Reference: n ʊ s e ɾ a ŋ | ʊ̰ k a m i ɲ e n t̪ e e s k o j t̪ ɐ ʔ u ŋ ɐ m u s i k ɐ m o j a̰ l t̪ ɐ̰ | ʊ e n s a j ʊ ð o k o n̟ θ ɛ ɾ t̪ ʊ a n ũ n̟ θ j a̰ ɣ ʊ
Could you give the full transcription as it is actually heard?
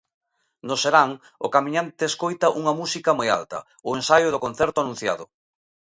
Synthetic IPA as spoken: n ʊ s e ɾ a ŋ | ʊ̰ k a m i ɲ a n t̪ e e s k o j t̪ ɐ ʔ u ŋ ɐ m u s i k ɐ m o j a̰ l t̪ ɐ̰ | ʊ e n s a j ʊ ð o k o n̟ θ ɛ ɾ t̪ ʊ a n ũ n̟ θ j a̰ ð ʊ